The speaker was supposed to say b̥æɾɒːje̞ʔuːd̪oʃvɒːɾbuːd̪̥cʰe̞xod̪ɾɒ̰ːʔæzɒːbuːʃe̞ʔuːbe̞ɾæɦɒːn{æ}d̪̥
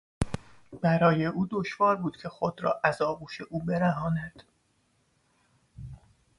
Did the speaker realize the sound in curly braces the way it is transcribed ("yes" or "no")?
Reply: yes